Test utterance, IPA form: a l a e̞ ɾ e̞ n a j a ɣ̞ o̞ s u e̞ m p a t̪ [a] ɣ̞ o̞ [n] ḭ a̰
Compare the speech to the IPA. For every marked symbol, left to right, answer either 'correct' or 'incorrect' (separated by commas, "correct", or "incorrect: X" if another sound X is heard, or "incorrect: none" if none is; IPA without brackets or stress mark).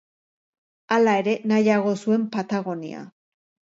correct, correct